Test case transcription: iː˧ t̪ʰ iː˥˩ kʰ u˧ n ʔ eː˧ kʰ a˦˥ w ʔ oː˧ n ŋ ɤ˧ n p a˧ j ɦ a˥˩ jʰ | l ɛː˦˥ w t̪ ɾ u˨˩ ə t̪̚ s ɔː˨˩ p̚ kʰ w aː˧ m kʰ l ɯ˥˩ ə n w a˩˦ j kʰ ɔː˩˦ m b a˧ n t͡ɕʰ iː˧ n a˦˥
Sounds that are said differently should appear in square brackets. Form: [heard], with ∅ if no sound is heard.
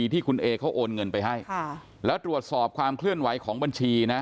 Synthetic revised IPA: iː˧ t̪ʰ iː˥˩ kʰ u˧ n ʔ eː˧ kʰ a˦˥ w ʔ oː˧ n ŋ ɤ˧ n p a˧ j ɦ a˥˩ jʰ | l ɛː˦˥ w t̪ ɾ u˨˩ ə t̪̚ s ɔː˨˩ p̚ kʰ w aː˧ m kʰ l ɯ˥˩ ə n w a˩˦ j kʰ ɔː˩˦ [ŋ] b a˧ n t͡ɕʰ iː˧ n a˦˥

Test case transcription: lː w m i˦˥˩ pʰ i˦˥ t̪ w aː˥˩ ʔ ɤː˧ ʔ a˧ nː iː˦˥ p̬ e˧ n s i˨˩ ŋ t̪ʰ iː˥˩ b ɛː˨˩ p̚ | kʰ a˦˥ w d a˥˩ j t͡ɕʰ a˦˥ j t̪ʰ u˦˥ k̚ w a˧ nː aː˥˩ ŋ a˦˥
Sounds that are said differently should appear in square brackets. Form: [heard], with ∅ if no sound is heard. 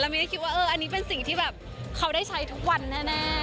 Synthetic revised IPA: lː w m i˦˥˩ [kʰ] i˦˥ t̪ w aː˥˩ ʔ ɤː˧ ʔ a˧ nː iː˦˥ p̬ e˧ n s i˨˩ ŋ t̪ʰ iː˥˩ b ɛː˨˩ p̚ | kʰ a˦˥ w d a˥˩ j t͡ɕʰ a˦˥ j t̪ʰ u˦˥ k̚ w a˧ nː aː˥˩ [n] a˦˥

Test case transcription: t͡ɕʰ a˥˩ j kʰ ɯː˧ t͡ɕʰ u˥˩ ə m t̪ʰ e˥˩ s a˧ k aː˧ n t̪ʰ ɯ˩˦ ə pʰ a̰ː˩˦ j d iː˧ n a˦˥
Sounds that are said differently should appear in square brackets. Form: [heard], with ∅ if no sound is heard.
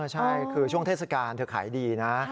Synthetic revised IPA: t͡ɕʰ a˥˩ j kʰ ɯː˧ t͡ɕʰ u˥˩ ə [ŋ] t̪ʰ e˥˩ s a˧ k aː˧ n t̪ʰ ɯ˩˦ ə [kʰ] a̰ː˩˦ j d iː˧ n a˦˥

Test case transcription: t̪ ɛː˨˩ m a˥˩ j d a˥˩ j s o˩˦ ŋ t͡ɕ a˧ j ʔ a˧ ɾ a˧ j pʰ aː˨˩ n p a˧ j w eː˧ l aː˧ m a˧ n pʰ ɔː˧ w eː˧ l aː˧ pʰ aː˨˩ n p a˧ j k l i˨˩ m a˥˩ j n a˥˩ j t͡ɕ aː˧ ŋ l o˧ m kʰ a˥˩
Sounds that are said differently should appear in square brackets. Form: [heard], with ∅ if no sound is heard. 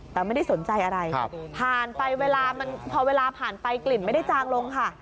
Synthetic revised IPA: t̪ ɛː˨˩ m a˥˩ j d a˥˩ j s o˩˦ [n] t͡ɕ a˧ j ʔ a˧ ɾ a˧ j pʰ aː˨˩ n p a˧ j w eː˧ l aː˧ m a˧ n pʰ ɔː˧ w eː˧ l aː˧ pʰ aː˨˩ n p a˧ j k l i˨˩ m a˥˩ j [d] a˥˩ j t͡ɕ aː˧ ŋ l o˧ [ŋ] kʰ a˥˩

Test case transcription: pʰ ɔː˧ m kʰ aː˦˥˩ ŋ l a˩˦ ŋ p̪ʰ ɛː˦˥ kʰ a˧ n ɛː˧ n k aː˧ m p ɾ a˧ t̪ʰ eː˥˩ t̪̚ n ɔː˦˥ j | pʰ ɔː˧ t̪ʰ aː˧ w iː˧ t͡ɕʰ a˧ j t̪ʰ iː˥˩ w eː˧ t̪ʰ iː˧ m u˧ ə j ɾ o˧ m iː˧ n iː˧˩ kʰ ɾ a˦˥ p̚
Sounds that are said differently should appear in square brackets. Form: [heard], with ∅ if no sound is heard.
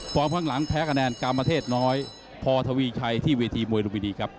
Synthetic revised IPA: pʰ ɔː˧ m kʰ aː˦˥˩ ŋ l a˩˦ ŋ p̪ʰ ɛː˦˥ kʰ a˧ n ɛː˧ n k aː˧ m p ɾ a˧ t̪ʰ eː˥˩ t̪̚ n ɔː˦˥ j | pʰ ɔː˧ t̪ʰ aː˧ w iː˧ t͡ɕʰ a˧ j t̪ʰ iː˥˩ w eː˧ t̪ʰ iː˧ m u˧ ə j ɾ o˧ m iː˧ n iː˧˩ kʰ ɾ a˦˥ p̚

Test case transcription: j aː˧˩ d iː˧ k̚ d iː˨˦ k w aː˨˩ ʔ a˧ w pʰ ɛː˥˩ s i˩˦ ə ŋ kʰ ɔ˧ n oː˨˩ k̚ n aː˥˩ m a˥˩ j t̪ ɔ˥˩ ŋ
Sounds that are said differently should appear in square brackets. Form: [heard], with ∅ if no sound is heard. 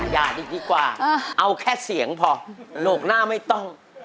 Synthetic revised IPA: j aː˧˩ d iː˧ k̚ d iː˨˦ k w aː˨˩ ʔ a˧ w [kʰ] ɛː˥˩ s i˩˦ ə ŋ [pʰ] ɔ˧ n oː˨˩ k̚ n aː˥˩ m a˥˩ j t̪ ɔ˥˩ ŋ

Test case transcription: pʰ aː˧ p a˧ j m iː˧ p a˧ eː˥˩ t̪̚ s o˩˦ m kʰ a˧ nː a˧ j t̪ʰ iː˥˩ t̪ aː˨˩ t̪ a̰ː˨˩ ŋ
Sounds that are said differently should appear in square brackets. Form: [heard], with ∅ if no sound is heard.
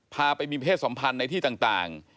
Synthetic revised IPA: pʰ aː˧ p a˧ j m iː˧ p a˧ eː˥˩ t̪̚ s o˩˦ m [pʰ] a˧ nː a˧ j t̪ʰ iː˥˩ t̪ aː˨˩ t̪ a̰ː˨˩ ŋ

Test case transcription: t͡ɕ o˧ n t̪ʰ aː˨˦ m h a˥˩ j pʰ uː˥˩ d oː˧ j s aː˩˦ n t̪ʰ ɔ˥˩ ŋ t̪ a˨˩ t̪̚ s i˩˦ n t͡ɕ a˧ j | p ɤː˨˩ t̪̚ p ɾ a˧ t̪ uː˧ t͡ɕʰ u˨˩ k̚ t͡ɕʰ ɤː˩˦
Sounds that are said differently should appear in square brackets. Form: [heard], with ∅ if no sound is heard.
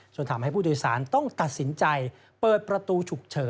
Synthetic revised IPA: t͡ɕ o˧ n t̪ʰ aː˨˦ m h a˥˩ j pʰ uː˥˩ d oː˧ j s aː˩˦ n [t̪] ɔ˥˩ ŋ t̪ a˨˩ t̪̚ s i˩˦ n t͡ɕ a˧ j | p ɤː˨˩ t̪̚ p ɾ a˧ t̪ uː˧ t͡ɕʰ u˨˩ k̚ t͡ɕʰ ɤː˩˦

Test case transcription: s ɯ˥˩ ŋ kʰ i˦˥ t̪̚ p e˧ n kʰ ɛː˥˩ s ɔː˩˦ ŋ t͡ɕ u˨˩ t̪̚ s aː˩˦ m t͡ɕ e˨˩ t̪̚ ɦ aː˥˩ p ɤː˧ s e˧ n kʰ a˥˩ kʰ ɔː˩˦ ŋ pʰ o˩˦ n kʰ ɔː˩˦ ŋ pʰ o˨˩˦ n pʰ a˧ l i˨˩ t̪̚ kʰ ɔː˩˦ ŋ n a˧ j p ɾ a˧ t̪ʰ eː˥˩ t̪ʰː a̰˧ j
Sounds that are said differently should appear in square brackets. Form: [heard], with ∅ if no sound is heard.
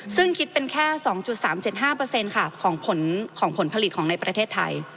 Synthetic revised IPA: s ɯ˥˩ ŋ kʰ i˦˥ t̪̚ p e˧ n kʰ ɛː˥˩ s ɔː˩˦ ŋ t͡ɕ u˨˩ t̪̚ s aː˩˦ m t͡ɕ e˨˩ t̪̚ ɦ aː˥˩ p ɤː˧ s e˧ n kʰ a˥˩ kʰ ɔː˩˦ ŋ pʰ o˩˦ n kʰ ɔː˩˦ ŋ pʰ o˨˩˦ n pʰ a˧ l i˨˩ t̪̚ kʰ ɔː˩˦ ŋ n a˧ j p ɾ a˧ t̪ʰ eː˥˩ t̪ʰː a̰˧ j

